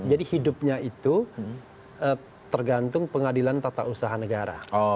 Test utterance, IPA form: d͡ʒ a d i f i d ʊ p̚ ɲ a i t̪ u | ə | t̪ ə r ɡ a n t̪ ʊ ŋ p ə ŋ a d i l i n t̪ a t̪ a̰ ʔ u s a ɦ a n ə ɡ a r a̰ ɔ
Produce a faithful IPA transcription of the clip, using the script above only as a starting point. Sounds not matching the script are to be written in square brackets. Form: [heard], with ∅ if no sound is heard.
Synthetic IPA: d͡ʒ a d i [h] i d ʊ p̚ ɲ a i t̪ u | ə | t̪ ə r ɡ a n t̪ ʊ ŋ p ə ŋ a d i l [a] n t̪ a t̪ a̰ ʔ u s a ɦ a n ə ɡ a [ɾ] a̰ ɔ